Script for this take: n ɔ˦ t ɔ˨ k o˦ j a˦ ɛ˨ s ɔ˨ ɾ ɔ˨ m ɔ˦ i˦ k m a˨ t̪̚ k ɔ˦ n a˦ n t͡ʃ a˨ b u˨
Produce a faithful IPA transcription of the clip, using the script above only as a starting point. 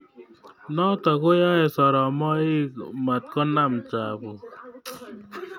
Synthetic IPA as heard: n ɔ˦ t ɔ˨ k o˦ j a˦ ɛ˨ s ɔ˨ ɾ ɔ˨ m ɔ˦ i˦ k m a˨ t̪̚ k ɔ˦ n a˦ m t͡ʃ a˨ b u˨